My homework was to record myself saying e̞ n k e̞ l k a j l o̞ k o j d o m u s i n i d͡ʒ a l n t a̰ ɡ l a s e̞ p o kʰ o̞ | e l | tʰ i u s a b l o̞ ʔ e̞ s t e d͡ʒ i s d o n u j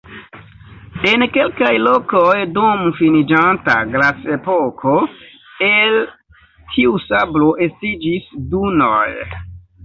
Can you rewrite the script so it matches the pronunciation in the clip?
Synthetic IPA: e̞ n k e̞ l k a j l o̞ k o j d o m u f i n i d͡ʒ a n t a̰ ɡ l a s e̞ p o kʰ o̞ | e l | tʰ i u s a b l o̞ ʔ e̞ s t i d͡ʒ i s d u n o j